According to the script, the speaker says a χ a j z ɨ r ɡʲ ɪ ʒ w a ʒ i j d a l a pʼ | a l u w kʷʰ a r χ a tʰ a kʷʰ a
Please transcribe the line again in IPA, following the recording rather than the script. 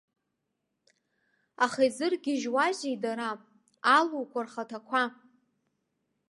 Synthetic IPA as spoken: a χ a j z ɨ r ɡʲ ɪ ʒ w a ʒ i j d a ɾ a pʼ | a l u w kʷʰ a r χ a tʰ a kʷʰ a

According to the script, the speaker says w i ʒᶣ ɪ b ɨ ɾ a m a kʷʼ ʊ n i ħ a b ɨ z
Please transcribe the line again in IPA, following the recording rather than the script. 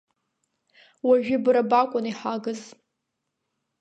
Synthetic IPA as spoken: w a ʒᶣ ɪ b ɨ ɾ a b a kʷʼ ʊ n i ħ a ɡ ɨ z

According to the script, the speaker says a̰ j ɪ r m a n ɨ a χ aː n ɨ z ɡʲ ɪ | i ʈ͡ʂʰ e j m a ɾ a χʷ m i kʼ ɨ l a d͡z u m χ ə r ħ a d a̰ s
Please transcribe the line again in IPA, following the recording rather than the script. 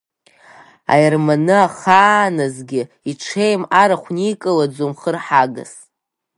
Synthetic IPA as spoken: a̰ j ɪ r m a n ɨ a χ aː n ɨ z ɡʲ ɪ | i ʈ͡ʂʰ e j m a ɾ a χʷ n i kʼ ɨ l a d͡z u m χ ə r ħ a ɡ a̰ s

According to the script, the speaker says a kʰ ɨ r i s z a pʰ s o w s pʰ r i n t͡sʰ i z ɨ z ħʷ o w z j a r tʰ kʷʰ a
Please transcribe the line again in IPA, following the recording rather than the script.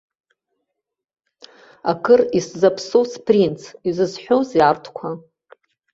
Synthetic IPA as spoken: a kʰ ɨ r i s z a pʰ s o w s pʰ r i n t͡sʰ i z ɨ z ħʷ o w z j a r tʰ kʷʰ a

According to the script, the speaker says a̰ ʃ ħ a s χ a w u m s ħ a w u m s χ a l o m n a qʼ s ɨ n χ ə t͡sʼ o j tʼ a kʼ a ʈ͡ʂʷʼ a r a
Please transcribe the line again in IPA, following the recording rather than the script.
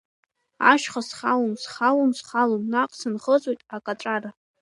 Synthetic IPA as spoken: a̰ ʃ χ a s χ a w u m s χ a w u m s χ a l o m n a qʼ s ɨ n χ ə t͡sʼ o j tʼ a kʼ a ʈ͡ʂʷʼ a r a

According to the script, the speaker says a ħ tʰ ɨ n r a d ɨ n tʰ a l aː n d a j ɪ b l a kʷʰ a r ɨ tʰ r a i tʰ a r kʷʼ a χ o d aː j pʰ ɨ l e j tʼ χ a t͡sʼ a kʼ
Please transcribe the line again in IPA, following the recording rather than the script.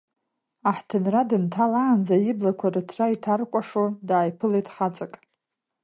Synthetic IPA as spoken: a ħ tʰ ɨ n r a d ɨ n tʰ a l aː n d͡z a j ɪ b l a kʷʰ a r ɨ tʰ r a i tʰ a r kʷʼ a ʂ o d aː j pʰ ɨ l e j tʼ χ a t͡sʼ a kʼ

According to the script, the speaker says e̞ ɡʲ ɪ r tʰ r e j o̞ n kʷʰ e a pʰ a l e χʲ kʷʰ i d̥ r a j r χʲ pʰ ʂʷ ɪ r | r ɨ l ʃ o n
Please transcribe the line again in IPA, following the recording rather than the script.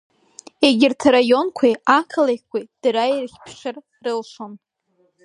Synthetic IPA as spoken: e̞ ɡʲ ɪ r tʰ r a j o̞ n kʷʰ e a kʰ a l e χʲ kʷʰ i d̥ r a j r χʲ pʰ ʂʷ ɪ r | r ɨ l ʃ o n

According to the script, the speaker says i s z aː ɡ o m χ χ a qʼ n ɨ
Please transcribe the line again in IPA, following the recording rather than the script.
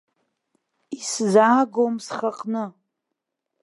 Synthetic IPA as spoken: i s z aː ɡ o m s χ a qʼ n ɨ

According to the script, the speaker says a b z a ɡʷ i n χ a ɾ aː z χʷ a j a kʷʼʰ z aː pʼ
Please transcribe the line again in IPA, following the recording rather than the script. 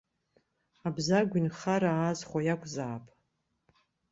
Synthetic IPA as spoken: a b z a ɡʷ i n χ a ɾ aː z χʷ a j a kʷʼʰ z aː pʼ

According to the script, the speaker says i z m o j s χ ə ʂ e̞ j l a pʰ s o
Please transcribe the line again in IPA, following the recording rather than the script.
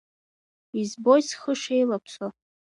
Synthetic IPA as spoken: i z b o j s χ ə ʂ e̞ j l a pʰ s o

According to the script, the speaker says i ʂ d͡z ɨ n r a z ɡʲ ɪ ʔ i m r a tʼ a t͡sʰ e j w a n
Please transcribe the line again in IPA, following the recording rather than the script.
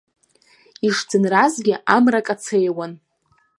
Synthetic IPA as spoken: i ʂ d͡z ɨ n r a z ɡʲ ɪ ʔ a m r a kʼ a t͡sʰ e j w a n

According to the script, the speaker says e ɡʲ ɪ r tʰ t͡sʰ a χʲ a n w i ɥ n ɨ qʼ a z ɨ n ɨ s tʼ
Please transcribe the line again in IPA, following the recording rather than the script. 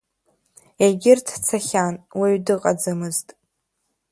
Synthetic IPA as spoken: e ɡʲ ɪ r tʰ t͡sʰ a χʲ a n w i ɥ d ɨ qʼ a d͡z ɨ m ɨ z tʼ

